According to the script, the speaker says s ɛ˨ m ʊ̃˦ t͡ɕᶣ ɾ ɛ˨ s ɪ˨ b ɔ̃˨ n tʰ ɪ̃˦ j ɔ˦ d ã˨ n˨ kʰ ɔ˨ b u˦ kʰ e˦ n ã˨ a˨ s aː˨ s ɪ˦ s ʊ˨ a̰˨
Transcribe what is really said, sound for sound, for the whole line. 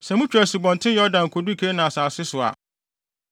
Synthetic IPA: s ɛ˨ m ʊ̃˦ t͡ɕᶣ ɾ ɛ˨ s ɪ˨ b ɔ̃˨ n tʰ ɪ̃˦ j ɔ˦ d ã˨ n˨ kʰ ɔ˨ d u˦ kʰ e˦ n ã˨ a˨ s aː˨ s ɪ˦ s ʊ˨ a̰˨